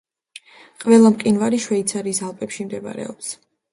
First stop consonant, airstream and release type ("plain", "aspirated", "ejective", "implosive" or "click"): ejective